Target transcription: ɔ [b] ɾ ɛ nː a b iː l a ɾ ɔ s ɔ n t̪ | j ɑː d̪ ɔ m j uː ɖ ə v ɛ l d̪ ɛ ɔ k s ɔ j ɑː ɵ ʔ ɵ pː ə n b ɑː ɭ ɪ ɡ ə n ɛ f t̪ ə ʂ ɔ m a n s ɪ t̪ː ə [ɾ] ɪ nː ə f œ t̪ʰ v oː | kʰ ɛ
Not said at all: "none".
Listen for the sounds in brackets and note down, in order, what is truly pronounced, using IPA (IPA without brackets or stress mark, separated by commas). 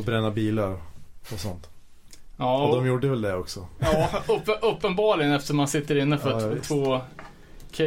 b, ɾ